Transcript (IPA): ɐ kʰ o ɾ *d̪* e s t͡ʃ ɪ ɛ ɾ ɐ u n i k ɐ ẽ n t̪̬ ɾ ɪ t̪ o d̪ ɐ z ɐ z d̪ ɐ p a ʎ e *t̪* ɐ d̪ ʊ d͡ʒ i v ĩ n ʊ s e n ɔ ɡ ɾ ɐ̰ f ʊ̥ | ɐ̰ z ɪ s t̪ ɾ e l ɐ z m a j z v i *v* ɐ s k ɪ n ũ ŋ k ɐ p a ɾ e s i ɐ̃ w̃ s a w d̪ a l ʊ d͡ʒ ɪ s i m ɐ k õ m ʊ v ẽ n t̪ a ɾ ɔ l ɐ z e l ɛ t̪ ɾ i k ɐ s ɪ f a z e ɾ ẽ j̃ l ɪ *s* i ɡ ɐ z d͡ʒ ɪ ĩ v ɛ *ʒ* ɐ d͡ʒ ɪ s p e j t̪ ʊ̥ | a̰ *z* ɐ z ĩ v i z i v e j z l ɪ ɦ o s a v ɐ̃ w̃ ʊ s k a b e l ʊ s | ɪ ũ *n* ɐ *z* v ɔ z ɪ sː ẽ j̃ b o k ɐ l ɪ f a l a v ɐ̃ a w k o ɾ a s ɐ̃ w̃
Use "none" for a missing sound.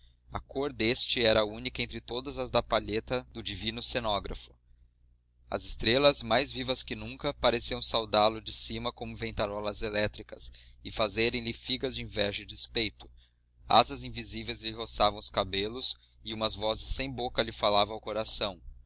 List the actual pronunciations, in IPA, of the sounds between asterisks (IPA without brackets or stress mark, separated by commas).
d̪, t̪, v, f, ʒ, z, m, z